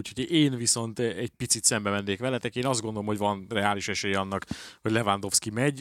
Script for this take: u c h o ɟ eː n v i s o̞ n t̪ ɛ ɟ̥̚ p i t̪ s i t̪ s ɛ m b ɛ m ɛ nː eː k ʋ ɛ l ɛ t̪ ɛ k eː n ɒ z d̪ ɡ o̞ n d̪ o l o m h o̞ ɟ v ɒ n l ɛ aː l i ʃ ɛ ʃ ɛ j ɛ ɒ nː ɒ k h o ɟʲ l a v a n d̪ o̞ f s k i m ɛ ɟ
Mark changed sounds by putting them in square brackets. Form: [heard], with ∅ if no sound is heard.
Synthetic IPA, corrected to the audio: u c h o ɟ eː n v i s o̞ n t̪ ɛ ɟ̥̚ p i t̪ s i t̪ s ɛ m b ɛ m ɛ nː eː k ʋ ɛ l ɛ t̪ ɛ k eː n ɒ z d̪ ɡ o̞ n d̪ o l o m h o̞ ɟ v ɒ n [r] ɛ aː l i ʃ ɛ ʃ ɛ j ɛ ɒ nː ɒ k h o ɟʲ l [ɛ] v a n d̪ o̞ f s k i m ɛ ɟ